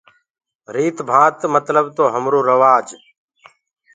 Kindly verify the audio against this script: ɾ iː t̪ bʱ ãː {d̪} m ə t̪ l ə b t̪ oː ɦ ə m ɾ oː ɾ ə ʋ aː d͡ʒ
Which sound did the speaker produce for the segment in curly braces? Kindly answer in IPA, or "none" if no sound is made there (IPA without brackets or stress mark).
t̪